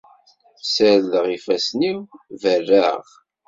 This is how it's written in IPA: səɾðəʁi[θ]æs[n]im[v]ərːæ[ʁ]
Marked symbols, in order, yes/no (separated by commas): no, yes, yes, yes